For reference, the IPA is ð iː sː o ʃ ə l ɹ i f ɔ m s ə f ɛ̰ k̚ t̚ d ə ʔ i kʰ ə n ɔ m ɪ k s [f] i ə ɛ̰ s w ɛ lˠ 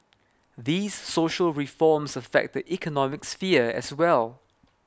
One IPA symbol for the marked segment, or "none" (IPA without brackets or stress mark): f